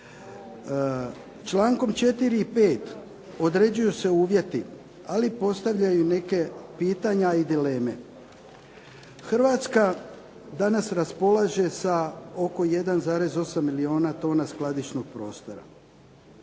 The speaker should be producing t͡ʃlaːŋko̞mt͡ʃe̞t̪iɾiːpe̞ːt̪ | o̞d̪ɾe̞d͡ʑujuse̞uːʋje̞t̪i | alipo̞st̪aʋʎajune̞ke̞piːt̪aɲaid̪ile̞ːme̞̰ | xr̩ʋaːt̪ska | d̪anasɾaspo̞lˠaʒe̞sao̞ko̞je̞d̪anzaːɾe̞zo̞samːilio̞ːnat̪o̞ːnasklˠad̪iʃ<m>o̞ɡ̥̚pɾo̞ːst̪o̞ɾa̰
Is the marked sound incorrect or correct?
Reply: incorrect